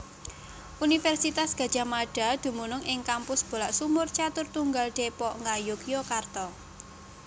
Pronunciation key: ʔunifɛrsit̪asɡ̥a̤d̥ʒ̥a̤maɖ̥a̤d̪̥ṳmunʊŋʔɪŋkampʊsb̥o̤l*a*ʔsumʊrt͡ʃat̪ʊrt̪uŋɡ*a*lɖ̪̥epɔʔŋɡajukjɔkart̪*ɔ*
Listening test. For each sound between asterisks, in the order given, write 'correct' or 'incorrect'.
correct, correct, correct

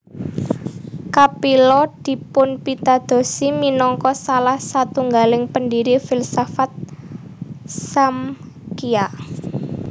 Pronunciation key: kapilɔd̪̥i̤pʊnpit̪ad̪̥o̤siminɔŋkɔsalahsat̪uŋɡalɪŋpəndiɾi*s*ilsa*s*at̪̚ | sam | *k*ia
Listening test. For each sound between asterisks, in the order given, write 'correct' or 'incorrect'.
incorrect: f, incorrect: f, correct

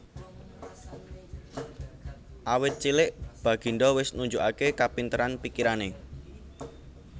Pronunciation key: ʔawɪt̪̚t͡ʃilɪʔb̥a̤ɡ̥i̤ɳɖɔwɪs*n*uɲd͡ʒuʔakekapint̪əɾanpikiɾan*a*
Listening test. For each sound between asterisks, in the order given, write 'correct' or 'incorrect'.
correct, incorrect: e

